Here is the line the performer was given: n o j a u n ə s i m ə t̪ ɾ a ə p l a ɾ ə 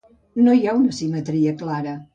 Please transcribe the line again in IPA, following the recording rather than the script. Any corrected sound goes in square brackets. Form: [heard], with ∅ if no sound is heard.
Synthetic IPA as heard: n o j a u n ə s i m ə t̪ ɾ [i] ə [k] l a ɾ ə